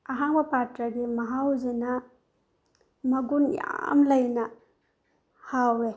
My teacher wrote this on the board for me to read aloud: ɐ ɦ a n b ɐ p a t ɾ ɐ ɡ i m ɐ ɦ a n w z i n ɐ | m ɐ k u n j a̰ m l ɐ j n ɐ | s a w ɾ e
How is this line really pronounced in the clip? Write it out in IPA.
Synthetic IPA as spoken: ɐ ɦ a ŋ b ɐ p a t ɾ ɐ ɡ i m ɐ ɦ a w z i n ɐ | m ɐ ɡ u n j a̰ m l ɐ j n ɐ | h a w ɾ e